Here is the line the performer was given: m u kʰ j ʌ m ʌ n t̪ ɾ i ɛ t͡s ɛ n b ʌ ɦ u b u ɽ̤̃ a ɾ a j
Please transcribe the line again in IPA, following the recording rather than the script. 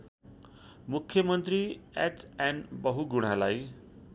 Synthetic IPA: m u kʰ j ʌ m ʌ n t̪ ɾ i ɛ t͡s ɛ n b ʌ ɦ u ɡ u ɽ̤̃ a l a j